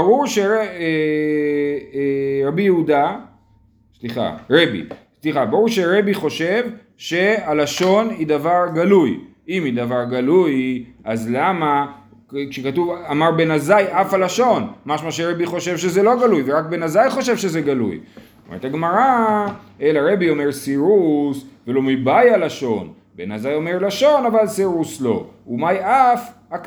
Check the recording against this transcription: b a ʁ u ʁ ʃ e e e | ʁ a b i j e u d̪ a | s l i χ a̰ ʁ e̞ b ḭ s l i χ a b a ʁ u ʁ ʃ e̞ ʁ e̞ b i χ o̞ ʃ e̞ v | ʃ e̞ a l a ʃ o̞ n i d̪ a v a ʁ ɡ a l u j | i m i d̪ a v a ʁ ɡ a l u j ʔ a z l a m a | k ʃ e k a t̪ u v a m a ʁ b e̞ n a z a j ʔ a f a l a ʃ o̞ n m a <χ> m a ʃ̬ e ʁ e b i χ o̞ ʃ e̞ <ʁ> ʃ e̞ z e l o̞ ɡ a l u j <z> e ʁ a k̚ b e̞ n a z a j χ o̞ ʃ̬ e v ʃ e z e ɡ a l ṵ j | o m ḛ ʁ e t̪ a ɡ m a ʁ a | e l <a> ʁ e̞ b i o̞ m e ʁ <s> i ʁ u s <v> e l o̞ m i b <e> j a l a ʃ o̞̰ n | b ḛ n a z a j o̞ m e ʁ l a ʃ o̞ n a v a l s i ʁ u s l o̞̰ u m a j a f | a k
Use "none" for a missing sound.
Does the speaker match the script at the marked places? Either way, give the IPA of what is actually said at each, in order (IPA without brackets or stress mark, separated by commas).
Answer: ʃ, v, v, a, s, v, a